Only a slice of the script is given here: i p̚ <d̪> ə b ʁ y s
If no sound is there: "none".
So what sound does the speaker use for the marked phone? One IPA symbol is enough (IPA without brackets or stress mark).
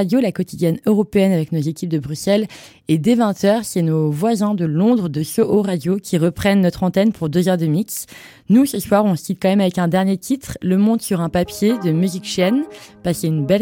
d̪